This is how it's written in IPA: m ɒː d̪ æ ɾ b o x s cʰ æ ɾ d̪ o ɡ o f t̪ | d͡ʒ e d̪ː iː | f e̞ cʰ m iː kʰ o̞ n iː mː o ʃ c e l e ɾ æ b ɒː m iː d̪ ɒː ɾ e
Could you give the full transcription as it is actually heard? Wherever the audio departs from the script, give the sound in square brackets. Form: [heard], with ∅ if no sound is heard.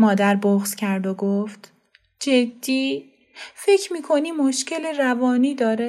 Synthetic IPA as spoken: m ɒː d̪ æ ɾ b o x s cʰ æ ɾ d̪ o ɡ o f t̪ | d͡ʒ e d̪ː iː | f e̞ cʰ m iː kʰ o̞ n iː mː o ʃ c e l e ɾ æ [v] ɒː [n] iː d̪ ɒː ɾ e